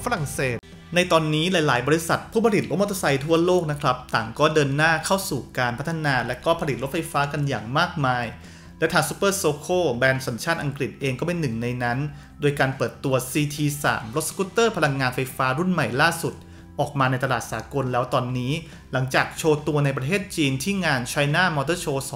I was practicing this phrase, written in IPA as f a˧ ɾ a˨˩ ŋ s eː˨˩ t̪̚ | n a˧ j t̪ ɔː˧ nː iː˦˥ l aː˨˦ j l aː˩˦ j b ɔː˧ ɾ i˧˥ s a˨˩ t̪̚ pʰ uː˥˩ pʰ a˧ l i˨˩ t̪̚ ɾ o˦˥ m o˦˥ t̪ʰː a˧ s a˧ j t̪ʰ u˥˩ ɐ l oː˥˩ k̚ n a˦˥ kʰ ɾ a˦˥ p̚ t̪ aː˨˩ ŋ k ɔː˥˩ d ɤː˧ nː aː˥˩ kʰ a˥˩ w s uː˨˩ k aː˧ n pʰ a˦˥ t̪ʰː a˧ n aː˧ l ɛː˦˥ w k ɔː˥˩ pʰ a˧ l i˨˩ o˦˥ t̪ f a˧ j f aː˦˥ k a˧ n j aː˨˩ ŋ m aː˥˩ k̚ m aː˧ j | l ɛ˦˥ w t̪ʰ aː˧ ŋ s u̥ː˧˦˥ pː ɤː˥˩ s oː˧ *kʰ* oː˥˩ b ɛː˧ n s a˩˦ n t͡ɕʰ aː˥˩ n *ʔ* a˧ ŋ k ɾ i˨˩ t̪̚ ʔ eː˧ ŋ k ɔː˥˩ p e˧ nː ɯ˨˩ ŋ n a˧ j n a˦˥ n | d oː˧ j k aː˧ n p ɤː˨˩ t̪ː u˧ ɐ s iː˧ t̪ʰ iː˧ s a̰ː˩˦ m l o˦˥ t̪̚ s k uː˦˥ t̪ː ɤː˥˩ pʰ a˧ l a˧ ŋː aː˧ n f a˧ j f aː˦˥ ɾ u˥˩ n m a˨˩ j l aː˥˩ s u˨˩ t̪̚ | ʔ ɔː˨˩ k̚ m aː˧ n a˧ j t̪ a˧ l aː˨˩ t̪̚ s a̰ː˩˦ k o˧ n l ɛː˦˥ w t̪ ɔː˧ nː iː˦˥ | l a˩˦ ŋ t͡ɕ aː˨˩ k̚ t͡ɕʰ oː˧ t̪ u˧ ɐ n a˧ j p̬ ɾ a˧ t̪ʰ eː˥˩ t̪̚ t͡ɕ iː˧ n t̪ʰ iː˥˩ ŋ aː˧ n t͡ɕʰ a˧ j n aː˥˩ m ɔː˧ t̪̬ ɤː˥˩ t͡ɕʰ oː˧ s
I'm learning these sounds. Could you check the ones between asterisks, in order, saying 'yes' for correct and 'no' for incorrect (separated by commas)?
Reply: yes, yes